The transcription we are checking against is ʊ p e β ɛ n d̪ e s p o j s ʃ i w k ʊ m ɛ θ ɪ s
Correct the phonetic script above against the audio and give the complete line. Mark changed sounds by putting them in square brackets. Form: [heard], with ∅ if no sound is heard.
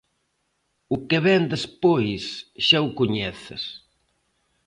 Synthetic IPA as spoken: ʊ [k] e β ɛ n d̪ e s p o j s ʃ [a] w k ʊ [ɲ] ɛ θ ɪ s

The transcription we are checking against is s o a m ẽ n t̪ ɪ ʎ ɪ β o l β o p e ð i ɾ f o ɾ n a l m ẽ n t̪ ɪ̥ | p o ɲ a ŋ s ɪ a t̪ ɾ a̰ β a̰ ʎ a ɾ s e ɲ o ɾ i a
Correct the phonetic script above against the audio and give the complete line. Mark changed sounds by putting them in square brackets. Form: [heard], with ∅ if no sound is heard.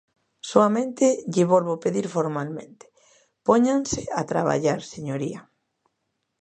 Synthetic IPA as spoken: s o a m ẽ n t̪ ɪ ʎ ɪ β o l β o p e ð i ɾ f o ɾ [m] a l m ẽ n t̪ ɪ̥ | p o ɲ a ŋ s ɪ a t̪ ɾ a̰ β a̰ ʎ a ɾ s e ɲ o ɾ i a

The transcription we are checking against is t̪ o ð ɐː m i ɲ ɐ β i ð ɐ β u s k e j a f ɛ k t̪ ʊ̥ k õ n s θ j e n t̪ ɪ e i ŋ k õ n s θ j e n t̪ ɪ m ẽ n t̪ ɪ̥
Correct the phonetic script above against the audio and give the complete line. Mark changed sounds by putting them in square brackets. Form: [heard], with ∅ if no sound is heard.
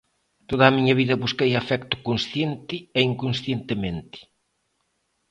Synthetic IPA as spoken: t̪ o ð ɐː m i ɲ ɐ β i ð ɐ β u s k e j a f ɛ k t̪ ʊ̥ k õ n s θ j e n t̪ ɪ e i ŋ k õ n s θ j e n t̪ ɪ m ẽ n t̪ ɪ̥

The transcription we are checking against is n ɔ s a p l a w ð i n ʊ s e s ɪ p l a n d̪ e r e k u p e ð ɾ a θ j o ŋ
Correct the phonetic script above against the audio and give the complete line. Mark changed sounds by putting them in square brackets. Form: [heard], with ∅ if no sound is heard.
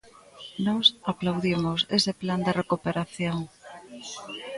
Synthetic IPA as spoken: n ɔ s a p l a w ð i [m] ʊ s e s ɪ p l a n d̪ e r e k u p e [∅] ɾ a θ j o ŋ

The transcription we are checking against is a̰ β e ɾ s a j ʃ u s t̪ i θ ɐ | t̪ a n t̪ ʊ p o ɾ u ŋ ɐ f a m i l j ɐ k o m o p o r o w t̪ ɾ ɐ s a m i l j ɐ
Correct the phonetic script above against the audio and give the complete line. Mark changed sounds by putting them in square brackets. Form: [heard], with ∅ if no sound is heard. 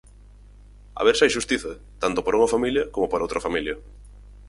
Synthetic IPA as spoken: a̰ β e ɾ s a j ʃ u s t̪ i θ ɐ | t̪ a n t̪ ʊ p o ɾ u ŋ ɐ f a m i l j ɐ k o m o p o [ɾ] o w t̪ ɾ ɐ [f] a m i l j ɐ

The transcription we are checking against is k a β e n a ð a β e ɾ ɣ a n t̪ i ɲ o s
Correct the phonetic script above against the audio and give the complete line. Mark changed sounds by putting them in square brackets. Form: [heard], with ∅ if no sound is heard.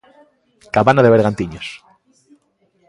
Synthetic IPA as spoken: k a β [a] n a ð [e] β e ɾ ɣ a n t̪ i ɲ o s

